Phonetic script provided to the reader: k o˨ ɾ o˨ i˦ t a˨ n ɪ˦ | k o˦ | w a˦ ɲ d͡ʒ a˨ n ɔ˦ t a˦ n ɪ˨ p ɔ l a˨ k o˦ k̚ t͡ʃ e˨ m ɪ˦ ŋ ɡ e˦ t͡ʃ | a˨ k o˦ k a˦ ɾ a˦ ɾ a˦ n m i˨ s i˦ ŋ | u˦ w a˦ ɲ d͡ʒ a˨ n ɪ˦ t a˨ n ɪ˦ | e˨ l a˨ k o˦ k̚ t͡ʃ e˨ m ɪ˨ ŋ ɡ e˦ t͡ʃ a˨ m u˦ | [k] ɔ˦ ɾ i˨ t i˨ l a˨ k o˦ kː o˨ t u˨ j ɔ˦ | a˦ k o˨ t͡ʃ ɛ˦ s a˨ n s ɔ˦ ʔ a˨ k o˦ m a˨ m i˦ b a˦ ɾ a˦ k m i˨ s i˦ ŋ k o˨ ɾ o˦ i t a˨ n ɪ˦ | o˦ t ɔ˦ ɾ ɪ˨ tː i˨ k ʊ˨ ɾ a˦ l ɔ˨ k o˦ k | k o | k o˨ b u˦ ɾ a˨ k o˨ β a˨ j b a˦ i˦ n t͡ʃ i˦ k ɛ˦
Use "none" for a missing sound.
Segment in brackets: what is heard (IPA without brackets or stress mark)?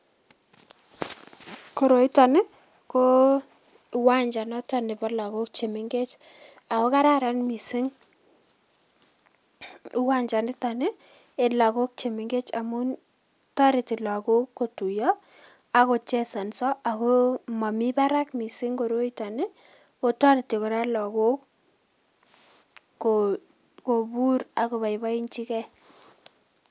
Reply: t